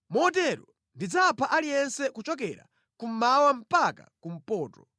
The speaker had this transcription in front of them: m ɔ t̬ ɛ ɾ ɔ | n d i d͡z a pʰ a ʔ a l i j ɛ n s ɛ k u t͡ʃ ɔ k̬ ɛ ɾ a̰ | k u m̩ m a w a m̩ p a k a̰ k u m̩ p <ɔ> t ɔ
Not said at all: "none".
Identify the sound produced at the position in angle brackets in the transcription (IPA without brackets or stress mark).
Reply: ɔː